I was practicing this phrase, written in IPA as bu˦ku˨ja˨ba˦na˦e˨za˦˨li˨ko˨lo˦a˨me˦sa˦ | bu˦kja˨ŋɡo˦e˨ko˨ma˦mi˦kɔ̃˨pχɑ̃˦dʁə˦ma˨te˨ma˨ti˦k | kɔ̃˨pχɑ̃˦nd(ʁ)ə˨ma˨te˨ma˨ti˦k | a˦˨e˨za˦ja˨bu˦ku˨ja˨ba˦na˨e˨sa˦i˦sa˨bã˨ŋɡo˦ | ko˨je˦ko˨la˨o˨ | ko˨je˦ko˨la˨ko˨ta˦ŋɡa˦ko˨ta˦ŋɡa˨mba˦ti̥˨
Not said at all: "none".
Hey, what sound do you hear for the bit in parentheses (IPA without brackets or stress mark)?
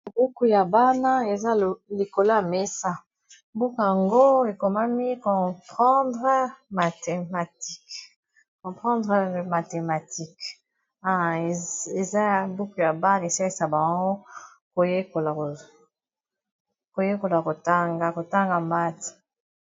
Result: ʁ